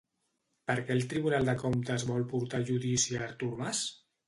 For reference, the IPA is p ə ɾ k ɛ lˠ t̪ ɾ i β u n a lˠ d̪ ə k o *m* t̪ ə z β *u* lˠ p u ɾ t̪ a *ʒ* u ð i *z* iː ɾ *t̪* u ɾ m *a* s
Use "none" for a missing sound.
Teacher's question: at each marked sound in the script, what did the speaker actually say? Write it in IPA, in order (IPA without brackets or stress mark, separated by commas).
m, ɔ, ʒ, s, t̪, a